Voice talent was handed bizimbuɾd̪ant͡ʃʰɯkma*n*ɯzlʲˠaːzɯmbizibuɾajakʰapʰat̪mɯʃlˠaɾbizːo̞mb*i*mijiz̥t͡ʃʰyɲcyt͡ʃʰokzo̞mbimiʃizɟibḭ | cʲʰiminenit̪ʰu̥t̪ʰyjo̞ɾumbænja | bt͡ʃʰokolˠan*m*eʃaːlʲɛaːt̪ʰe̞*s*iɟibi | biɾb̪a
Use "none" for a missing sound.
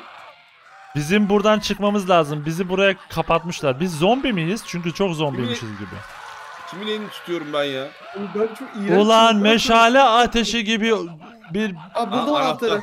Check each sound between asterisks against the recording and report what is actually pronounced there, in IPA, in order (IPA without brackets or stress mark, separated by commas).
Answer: m, i, m, ʃ